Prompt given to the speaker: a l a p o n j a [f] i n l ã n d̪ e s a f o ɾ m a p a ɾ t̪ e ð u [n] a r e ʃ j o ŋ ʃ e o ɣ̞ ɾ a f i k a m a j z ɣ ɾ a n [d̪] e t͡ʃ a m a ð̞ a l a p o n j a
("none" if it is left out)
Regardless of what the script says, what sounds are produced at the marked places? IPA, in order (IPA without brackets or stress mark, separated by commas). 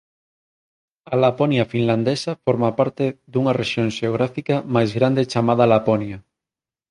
f, ŋ, d̪